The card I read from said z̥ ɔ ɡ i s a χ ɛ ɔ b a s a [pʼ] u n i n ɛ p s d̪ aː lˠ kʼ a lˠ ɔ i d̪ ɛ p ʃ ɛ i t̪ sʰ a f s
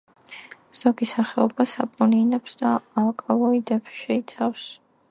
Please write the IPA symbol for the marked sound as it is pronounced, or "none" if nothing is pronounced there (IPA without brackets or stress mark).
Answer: pʼ